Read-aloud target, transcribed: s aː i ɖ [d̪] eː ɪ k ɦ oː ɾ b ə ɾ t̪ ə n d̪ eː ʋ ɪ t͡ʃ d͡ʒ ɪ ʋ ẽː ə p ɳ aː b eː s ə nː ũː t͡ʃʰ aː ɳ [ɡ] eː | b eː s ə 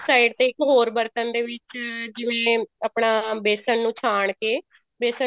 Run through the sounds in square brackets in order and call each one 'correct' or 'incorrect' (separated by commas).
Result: incorrect, incorrect